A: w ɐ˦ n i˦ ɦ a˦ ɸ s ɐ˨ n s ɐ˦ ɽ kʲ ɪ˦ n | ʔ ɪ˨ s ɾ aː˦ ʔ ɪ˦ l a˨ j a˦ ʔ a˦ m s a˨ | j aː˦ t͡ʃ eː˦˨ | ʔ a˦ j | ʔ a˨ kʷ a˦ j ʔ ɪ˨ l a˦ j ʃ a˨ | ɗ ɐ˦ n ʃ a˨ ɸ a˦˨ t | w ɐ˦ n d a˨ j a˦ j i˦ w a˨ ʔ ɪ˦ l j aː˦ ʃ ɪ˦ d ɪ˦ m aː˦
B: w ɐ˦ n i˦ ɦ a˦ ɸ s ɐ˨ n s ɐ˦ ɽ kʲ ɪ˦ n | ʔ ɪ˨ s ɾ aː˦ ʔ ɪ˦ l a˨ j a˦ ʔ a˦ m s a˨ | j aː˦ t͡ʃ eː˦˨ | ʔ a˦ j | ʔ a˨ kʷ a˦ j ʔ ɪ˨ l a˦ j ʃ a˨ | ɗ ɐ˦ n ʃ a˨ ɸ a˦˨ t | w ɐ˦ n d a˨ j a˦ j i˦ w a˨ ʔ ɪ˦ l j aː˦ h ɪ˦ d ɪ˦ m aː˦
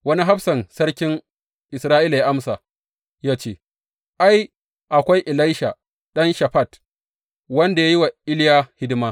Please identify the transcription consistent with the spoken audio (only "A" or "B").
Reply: B